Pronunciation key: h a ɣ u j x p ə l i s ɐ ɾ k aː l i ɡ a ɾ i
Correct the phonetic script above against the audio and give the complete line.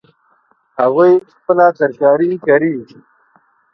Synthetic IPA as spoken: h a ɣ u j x p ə l a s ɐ ɾ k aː ɾ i k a ɾ i